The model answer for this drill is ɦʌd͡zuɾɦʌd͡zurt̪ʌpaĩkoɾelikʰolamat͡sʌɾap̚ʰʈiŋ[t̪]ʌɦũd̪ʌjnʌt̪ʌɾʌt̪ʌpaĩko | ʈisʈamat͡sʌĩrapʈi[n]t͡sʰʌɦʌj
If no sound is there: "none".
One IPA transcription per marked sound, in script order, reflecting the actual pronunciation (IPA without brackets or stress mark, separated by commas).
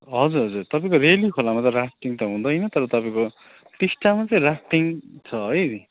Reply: t̪, ŋ